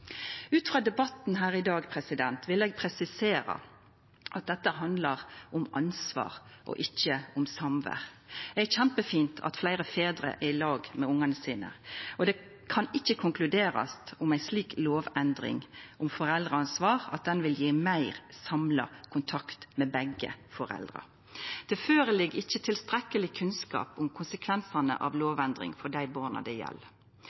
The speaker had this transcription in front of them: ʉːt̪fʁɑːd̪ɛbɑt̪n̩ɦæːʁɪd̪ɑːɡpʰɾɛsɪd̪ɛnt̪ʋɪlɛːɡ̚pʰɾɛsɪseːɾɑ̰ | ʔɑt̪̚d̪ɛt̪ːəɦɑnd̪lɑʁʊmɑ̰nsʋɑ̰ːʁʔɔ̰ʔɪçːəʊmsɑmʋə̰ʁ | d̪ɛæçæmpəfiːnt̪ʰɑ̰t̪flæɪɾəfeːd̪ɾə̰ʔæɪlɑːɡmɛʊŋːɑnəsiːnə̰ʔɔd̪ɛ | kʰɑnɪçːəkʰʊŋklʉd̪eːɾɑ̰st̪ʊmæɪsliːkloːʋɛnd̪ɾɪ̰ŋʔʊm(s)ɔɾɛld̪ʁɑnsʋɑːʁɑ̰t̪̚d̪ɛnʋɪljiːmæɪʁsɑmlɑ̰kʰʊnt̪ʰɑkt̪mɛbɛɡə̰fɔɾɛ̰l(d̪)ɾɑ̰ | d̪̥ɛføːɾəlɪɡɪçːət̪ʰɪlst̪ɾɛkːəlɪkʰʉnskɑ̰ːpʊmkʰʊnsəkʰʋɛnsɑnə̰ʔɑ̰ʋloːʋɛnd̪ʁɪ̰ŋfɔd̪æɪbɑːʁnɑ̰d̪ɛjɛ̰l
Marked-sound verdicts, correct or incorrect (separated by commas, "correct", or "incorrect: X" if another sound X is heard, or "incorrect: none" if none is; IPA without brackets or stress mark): incorrect: f, correct